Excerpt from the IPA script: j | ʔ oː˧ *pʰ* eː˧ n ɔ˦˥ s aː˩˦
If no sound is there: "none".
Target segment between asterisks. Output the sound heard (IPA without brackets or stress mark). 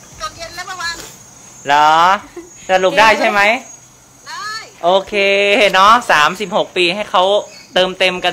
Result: kʰ